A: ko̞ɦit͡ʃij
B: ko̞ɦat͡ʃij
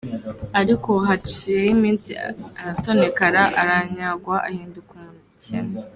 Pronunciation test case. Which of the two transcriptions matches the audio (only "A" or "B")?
B